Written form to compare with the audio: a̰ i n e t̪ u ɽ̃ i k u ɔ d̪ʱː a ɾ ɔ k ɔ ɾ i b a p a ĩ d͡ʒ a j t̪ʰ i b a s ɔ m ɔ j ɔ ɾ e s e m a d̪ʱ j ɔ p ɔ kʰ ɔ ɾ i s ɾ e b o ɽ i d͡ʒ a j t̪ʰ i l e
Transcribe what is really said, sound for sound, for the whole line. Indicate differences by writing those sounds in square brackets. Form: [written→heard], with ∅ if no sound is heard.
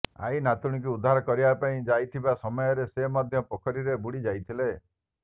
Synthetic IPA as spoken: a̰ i n [e→a] t̪ u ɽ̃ i k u [ɔ→u] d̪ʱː a ɾ ɔ k ɔ ɾ i b a p a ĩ d͡ʒ a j t̪ʰ i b a s ɔ m ɔ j ɔ ɾ e s e m a d̪ʱ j ɔ p ɔ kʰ ɔ ɾ i [s→∅] ɾ e b [o→u] ɽ i d͡ʒ a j t̪ʰ i l e